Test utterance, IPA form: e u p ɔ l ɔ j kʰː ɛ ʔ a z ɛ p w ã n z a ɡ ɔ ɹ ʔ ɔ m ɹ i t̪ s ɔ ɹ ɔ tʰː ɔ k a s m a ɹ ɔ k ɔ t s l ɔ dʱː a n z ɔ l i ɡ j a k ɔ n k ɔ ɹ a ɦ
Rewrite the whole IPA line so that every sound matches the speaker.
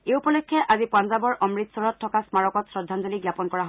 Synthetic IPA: e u p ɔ l ɔ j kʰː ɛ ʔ a z i p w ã n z a b ɔ ɹ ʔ ɔ m ɹ i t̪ s ɔ ɹ ɔ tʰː ɔ k a s m a ɹ ɔ k ɔ t s ɹ ɔ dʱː a n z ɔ l i ɡ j a p ɔ n k ɔ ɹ a ɦ